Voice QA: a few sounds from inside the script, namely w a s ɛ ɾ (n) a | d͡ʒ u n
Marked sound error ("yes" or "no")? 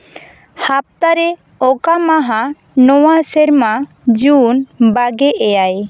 yes